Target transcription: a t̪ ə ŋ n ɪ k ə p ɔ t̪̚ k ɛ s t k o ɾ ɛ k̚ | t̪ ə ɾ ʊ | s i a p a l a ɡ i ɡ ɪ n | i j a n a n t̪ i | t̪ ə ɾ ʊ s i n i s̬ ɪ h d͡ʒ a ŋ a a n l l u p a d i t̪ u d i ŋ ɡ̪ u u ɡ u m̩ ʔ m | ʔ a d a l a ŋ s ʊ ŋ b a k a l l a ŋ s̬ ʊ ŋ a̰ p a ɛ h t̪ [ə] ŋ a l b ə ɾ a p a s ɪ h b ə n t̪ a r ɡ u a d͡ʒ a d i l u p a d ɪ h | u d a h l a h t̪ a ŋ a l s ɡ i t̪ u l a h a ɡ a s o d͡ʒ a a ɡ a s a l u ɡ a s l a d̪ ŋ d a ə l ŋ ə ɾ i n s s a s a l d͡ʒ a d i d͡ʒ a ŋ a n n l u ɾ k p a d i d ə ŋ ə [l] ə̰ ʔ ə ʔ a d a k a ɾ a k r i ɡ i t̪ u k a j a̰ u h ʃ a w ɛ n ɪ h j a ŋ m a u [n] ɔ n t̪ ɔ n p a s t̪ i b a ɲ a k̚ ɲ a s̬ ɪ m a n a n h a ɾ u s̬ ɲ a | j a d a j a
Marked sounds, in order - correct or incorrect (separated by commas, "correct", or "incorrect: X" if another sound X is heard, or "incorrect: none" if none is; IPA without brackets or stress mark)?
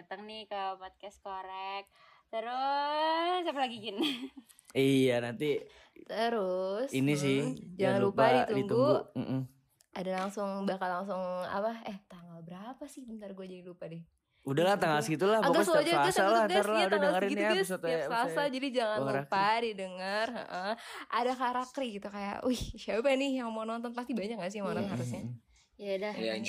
incorrect: a, incorrect: r, correct